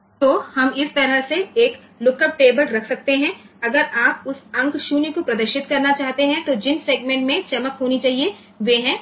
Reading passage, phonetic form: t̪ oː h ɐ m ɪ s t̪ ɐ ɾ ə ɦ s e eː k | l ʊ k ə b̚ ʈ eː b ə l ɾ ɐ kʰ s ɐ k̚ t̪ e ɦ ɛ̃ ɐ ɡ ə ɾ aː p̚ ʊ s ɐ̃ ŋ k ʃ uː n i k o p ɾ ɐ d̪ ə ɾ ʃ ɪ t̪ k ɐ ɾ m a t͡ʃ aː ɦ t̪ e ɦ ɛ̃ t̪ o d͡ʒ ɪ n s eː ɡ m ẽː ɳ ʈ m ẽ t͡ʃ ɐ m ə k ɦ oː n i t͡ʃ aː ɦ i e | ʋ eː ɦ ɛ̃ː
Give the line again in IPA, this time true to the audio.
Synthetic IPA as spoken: t̪ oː h ɐ m ɪ s t̪ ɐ ɾ ə ɦ s e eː k | l ʊ k ə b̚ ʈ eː b ə l ɾ ɐ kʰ s ɐ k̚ t̪ e ɦ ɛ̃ ɐ ɡ ə ɾ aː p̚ ʊ s ɐ̃ ŋ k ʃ uː n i k o p ɾ ɐ d̪ ə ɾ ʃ ɪ t̪ k ɐ ɾ n a t͡ʃ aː ɦ t̪ e ɦ ɛ̃ t̪ o d͡ʒ ɪ n s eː ɡ m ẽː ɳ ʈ m ẽ t͡ʃ ɐ m ə k ɦ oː n i t͡ʃ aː ɦ i e | ʋ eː ɦ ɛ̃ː